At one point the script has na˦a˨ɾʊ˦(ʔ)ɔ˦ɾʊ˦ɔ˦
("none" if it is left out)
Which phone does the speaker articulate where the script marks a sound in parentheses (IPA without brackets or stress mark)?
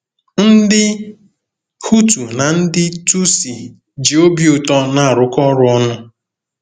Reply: k